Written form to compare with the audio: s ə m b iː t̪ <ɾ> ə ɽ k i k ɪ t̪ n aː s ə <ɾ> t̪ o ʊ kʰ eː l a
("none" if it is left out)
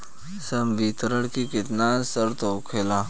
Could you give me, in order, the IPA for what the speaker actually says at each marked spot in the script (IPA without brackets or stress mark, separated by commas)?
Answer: ɾ, ɾ